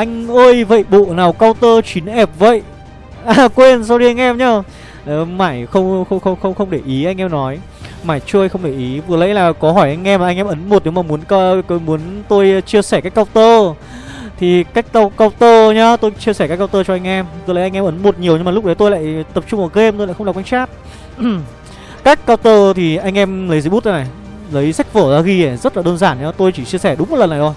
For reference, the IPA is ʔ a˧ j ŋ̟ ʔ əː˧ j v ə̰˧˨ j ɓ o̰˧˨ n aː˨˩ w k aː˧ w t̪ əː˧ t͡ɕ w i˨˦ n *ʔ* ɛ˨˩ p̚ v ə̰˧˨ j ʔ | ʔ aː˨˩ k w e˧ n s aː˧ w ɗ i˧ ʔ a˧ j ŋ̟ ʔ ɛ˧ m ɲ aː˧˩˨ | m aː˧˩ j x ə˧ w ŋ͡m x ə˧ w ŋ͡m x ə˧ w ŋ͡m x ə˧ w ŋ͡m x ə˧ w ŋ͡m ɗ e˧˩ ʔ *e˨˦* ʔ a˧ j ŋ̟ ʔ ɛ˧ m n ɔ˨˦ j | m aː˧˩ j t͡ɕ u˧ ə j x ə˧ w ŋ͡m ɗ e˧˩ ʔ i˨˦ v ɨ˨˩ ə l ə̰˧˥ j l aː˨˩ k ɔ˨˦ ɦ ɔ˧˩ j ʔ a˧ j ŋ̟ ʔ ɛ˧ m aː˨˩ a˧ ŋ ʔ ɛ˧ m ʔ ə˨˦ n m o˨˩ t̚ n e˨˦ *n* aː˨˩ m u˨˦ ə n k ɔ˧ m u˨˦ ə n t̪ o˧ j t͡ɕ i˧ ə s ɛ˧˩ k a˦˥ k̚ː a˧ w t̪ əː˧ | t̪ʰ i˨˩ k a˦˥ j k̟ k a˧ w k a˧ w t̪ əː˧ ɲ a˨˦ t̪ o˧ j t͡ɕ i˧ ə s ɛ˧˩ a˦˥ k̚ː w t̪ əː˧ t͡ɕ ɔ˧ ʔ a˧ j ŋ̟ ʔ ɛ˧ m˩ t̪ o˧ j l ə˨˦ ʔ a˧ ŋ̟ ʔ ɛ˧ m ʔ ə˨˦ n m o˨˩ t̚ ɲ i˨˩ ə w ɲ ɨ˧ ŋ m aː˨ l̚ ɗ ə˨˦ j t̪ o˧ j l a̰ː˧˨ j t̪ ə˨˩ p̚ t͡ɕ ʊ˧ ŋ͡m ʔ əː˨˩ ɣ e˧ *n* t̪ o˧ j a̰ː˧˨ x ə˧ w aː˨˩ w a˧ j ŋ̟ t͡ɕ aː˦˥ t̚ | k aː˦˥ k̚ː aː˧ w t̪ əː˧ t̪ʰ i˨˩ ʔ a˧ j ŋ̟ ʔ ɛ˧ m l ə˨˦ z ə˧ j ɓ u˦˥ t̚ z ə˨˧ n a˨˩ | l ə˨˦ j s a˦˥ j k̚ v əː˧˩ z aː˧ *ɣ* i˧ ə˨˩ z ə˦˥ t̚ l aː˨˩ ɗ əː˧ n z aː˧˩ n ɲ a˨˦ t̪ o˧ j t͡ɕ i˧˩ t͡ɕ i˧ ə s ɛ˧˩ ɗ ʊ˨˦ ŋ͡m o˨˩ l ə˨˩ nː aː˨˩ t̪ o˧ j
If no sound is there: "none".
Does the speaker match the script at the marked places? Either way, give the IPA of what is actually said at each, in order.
ʔ, i˨˦, m, m, ɣ

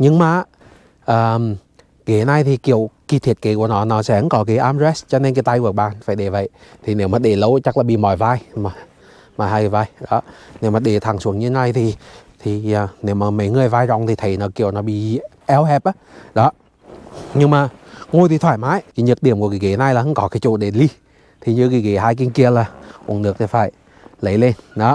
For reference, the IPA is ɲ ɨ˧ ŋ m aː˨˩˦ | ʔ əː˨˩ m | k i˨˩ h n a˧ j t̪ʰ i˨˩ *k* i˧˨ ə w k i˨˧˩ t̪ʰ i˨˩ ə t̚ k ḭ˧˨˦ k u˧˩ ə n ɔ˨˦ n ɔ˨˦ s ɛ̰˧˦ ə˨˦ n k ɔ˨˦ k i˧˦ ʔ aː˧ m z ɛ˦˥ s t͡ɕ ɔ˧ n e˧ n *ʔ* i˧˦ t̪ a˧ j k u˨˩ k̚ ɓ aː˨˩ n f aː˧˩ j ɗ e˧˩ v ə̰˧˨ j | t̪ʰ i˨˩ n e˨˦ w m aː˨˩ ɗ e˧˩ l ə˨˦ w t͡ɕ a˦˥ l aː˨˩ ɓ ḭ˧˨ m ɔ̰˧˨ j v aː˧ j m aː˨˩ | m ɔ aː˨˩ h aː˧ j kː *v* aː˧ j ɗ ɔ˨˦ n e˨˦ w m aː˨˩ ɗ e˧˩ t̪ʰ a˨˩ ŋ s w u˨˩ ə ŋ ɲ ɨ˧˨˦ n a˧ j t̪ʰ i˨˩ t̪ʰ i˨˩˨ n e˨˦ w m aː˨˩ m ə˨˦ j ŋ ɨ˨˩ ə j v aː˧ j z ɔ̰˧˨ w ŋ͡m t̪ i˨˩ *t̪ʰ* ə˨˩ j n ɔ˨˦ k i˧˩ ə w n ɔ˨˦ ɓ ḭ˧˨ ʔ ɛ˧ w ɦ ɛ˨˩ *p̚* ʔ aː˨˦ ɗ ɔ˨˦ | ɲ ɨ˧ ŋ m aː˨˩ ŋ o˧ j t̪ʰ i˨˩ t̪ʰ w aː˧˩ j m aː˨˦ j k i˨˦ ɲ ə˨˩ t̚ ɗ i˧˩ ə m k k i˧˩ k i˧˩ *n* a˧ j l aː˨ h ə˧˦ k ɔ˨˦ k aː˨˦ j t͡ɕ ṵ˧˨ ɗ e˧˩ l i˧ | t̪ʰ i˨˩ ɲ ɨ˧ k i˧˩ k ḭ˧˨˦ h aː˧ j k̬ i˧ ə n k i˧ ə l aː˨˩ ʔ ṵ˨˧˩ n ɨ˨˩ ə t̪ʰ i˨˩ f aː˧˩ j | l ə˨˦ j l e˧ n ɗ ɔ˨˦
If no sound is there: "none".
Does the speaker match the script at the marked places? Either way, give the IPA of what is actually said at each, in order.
k, k, v, t̪ʰ, p̚, n

